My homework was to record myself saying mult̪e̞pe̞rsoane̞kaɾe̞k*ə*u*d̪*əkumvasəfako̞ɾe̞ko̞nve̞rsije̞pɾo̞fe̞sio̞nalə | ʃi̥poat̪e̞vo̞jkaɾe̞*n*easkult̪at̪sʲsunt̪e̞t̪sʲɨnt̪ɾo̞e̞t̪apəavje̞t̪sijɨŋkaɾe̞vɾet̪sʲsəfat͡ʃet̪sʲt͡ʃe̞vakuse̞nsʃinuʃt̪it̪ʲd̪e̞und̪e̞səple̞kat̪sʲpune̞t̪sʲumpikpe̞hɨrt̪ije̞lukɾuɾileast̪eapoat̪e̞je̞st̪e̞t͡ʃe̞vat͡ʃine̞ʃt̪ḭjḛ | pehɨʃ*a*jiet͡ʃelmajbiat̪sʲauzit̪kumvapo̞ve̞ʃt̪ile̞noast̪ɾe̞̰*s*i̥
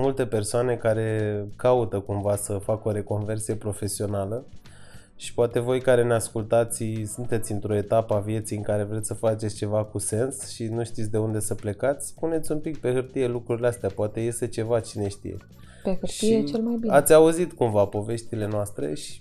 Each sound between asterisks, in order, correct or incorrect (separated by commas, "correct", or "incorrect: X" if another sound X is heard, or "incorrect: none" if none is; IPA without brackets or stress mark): incorrect: a, incorrect: t̪, correct, incorrect: i, incorrect: ʃ